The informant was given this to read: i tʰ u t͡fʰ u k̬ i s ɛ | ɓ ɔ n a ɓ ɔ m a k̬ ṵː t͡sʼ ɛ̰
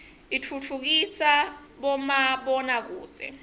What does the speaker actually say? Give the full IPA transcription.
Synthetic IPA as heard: i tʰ u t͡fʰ u k̬ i s a | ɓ ɔ m a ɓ ɔ n a k̬ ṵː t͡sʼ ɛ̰